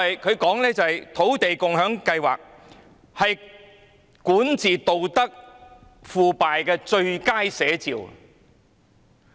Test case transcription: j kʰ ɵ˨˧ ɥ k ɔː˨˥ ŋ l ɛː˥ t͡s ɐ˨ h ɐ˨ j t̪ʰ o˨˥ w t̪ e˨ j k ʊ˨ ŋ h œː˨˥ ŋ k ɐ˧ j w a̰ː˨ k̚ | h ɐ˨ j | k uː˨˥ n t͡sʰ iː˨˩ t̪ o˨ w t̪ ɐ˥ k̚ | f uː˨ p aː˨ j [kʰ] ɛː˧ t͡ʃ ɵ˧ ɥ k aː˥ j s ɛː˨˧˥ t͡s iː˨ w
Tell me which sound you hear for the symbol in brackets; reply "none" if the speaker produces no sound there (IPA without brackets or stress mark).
k